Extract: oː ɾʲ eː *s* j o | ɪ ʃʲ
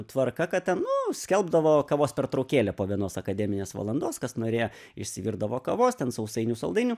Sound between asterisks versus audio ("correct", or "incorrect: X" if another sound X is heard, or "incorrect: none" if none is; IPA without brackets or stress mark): incorrect: none